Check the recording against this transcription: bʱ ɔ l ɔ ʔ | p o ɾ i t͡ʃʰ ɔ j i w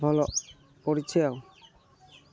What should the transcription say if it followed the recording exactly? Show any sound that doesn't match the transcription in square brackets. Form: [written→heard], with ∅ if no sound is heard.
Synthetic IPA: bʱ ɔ l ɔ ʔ | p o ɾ i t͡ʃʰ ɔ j [i→a] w